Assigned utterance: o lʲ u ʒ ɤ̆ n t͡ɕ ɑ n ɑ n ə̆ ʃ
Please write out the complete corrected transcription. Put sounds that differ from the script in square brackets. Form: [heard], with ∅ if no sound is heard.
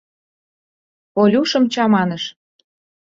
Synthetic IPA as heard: o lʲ u [ʃ] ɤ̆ [m] t͡ɕ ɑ [m] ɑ n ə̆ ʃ